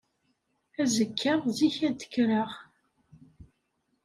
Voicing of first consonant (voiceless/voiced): voiced